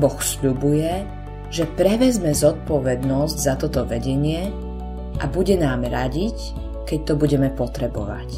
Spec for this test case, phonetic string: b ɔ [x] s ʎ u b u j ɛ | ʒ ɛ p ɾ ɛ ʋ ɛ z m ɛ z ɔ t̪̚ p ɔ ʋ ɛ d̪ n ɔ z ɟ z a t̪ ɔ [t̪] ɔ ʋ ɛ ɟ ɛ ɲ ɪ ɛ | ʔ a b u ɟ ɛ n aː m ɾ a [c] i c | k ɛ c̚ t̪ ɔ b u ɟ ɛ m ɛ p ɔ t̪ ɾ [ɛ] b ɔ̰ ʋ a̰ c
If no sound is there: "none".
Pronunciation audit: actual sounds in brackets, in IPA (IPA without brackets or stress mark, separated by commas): x, t̪, ɟ, ɛ